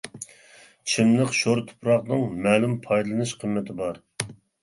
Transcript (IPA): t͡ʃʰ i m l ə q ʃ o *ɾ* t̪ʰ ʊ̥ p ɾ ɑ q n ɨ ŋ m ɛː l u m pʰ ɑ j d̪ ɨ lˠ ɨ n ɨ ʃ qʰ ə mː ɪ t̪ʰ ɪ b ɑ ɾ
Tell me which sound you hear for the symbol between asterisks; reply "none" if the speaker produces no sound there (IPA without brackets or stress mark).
ɾ